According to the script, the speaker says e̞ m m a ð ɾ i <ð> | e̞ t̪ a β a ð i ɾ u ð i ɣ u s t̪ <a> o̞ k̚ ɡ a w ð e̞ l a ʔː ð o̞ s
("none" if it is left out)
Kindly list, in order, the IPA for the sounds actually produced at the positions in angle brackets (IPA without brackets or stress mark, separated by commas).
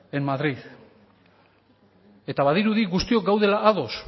ð, i